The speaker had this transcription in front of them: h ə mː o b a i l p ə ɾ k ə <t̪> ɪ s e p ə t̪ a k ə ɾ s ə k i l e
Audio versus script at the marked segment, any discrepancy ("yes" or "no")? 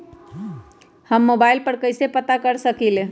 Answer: yes